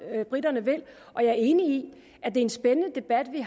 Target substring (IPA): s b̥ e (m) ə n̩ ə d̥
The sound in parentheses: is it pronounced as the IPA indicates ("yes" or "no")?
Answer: no